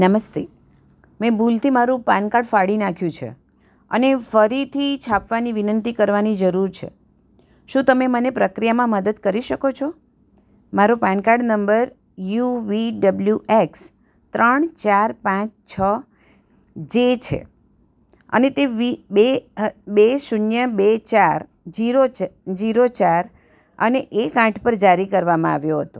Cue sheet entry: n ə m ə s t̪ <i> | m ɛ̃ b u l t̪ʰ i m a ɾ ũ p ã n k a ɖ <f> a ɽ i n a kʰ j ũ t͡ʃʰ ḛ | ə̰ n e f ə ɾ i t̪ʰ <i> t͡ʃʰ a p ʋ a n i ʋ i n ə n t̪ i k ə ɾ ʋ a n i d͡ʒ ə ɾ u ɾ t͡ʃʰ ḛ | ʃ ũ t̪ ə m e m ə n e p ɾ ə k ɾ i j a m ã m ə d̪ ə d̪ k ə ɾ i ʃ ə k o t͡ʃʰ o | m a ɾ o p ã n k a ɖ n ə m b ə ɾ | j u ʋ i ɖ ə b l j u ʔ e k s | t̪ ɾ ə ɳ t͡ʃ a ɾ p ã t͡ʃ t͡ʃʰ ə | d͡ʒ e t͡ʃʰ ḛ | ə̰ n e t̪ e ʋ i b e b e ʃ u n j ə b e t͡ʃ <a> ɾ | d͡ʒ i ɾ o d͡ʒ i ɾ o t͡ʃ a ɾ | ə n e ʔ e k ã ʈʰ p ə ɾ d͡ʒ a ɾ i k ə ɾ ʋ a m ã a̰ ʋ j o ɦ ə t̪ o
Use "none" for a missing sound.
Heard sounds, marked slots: e, f, i, a

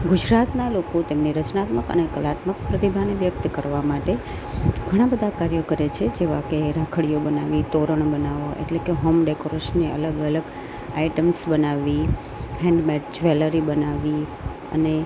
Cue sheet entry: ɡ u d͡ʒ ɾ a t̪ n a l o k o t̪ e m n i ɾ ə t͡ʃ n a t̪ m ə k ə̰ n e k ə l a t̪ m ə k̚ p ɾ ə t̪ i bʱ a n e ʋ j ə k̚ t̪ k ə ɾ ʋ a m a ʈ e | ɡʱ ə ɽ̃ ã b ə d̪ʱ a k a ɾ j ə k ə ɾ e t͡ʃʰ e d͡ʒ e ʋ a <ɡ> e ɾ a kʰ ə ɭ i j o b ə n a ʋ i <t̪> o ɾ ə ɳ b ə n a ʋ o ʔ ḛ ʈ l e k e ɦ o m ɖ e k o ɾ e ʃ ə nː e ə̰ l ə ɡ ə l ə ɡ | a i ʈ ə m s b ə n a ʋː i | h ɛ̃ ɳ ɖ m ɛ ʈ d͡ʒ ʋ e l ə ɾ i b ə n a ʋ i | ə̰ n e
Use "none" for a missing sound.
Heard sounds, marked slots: k, t̪

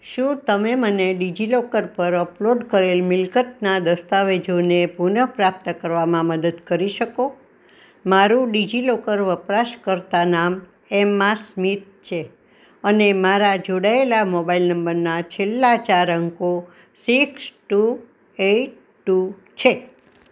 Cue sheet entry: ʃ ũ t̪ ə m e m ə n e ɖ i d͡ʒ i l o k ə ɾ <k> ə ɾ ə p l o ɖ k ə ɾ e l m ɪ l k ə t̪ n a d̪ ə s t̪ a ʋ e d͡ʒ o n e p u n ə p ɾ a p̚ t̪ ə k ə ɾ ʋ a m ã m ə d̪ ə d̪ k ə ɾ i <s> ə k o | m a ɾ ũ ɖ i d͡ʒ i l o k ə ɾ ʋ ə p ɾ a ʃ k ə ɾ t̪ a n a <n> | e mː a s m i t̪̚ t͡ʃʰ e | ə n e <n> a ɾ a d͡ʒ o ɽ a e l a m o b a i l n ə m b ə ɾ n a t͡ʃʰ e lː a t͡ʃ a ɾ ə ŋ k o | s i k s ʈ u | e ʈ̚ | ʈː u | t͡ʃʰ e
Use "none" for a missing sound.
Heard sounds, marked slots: p, ʃ, m, m

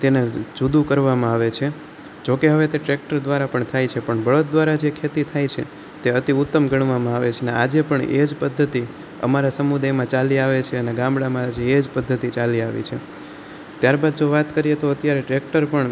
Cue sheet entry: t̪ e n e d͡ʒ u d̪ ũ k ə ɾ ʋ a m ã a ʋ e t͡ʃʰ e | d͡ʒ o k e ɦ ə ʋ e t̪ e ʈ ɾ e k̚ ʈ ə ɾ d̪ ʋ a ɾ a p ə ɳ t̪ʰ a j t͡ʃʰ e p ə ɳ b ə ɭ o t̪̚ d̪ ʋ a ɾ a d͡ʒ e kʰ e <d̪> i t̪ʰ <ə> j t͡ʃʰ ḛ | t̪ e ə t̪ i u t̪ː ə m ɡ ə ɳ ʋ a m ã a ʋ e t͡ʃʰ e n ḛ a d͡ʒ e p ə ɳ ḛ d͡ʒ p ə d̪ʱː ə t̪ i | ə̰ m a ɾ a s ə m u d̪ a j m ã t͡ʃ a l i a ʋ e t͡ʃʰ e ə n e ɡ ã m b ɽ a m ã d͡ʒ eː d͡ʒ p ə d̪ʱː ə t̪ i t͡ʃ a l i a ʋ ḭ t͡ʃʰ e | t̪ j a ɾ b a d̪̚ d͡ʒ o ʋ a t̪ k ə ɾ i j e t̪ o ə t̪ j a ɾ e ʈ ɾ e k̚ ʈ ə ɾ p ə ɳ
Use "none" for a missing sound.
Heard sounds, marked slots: t̪, a

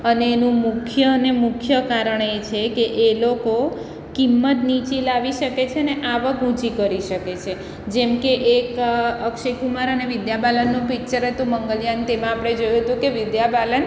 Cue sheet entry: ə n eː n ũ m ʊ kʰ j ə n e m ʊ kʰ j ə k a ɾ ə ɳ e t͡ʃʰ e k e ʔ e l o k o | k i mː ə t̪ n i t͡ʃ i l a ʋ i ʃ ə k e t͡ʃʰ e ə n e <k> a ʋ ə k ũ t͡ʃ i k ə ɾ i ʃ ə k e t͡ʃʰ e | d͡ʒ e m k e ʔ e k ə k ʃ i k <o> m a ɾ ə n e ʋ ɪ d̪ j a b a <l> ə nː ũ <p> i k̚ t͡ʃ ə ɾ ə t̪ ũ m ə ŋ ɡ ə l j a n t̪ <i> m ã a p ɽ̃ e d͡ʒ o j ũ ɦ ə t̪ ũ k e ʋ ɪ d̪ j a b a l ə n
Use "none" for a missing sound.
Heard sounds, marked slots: ʔ, u, l, p, e

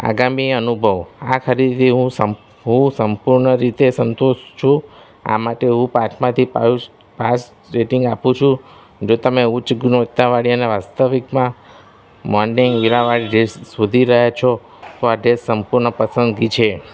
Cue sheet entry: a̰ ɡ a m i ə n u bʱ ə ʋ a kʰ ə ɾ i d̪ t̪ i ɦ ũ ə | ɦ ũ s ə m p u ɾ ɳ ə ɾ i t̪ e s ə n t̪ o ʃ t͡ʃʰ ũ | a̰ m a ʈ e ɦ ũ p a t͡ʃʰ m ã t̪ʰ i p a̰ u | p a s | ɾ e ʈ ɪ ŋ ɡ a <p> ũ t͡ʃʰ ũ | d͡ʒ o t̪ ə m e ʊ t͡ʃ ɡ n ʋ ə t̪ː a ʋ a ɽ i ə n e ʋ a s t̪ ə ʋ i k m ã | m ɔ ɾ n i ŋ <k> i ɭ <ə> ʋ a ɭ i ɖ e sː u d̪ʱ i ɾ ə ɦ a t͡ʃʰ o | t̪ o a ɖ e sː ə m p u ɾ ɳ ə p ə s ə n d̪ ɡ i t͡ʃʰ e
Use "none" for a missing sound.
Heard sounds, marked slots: p, ɡ, a

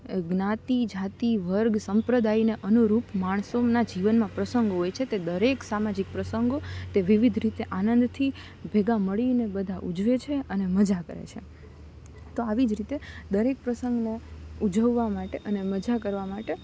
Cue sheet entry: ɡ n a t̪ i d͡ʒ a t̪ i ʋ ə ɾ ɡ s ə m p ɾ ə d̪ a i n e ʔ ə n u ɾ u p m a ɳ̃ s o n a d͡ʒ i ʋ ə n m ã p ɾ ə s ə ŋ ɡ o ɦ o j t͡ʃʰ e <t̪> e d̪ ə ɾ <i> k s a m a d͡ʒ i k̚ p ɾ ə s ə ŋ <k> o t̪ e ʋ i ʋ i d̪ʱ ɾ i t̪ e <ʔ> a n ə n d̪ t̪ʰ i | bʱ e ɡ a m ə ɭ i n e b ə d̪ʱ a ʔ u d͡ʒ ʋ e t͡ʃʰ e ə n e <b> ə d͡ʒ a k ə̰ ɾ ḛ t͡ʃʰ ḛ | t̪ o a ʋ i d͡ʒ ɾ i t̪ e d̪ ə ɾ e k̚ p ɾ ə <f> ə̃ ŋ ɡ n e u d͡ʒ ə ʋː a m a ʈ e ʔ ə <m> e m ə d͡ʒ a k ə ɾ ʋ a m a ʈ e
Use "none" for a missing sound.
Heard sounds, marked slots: t̪, e, ɡ, ʔ, m, s, n

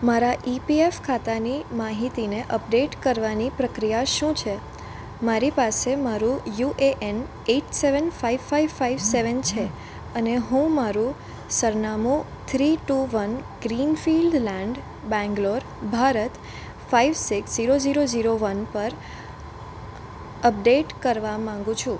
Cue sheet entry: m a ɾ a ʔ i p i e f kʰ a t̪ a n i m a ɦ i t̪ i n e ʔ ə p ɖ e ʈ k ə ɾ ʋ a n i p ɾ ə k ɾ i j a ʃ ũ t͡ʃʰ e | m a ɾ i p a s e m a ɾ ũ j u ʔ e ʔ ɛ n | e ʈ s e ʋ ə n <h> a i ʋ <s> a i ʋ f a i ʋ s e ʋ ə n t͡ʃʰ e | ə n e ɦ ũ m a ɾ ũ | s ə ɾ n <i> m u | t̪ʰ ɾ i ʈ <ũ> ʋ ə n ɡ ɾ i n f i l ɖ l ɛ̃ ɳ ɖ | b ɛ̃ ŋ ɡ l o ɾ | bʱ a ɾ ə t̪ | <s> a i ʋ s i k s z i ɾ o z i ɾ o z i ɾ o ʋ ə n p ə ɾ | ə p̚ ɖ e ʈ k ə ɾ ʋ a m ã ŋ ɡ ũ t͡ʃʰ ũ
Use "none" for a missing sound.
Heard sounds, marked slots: f, f, a, u, f

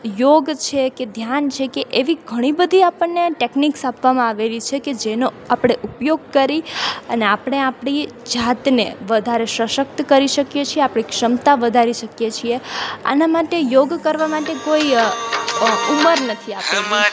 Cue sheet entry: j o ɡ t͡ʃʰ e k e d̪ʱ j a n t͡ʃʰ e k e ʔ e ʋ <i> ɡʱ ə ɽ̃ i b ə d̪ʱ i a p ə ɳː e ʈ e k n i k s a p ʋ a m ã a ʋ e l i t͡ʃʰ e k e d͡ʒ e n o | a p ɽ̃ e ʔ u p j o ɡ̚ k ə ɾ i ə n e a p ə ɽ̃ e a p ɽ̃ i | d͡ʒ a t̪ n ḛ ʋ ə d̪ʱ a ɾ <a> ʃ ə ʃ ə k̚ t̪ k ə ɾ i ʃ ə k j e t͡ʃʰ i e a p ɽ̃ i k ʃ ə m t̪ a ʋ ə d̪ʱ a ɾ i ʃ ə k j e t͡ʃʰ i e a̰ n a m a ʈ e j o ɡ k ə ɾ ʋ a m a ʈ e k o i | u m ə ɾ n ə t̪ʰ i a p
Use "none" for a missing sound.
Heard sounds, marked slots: i, e

